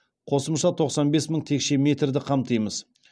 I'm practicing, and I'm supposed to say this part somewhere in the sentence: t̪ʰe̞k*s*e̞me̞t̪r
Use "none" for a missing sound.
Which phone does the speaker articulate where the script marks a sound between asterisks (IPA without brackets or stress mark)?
ʃ